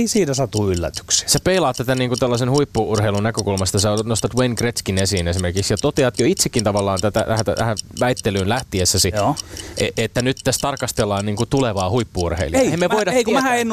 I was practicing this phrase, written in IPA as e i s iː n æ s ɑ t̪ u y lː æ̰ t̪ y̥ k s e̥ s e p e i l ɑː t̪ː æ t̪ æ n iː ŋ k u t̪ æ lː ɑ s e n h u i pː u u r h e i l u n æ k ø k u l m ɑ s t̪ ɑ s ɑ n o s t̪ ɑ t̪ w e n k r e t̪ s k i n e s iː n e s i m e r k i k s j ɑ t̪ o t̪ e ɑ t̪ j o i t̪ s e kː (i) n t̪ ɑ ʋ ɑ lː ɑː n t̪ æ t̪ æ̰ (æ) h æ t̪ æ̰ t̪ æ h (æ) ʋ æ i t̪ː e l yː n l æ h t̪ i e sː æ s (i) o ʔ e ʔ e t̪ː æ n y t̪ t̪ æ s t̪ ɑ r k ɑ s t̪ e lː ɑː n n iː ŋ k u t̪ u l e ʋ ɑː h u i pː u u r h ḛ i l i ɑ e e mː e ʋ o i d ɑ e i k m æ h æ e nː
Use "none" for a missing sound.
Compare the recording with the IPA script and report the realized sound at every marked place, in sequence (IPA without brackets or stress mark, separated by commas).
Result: i, æ, æ, i